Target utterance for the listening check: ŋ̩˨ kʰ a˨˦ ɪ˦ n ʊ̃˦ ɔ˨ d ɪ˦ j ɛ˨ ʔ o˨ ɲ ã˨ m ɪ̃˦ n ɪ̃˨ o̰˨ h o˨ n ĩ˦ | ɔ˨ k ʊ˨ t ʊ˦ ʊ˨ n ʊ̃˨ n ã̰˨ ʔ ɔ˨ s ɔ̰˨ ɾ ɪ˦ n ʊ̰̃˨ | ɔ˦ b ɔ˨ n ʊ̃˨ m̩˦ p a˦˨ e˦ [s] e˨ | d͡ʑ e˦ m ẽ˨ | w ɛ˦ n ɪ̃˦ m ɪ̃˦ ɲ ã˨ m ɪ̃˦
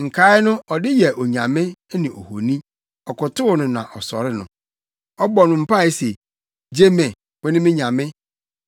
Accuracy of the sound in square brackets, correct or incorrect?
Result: correct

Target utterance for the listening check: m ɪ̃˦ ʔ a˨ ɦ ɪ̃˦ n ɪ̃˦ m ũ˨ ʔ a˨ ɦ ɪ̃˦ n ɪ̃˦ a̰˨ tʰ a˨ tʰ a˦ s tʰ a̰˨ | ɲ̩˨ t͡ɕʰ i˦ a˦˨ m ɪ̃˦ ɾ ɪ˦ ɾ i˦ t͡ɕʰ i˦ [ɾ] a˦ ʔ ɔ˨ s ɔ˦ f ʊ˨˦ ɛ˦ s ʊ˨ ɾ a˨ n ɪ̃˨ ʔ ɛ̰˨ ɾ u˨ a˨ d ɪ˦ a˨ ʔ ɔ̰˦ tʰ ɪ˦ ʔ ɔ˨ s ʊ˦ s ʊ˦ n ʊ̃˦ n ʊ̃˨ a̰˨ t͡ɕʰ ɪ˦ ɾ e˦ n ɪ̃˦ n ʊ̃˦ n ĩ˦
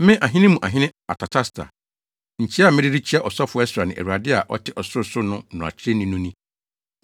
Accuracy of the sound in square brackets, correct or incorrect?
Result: incorrect: none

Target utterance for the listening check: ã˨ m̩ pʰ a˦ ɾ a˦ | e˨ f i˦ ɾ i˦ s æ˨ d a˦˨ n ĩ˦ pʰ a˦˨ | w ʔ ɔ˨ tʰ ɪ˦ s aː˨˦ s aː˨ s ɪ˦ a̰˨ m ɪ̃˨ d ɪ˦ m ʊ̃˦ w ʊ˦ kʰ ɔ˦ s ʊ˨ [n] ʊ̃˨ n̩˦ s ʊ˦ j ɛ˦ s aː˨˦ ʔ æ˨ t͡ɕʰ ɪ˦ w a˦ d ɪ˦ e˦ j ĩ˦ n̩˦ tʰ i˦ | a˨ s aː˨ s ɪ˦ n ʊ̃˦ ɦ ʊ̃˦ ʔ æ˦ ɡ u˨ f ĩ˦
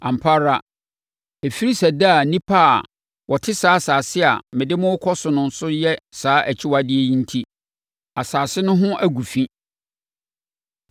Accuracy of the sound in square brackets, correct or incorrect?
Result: correct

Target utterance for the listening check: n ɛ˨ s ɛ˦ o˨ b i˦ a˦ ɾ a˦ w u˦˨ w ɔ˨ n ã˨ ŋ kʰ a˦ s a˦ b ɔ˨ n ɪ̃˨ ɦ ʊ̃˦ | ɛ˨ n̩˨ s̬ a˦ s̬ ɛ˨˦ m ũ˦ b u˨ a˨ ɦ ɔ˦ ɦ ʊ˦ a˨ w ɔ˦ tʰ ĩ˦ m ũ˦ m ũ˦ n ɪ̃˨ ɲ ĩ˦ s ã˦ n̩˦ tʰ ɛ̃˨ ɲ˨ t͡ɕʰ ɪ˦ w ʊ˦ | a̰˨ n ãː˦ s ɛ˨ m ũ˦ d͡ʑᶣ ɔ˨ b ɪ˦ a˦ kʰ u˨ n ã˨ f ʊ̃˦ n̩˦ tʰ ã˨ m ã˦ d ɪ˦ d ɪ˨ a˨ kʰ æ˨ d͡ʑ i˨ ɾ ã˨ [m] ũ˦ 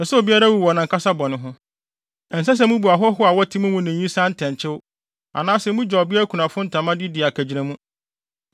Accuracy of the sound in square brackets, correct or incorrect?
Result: correct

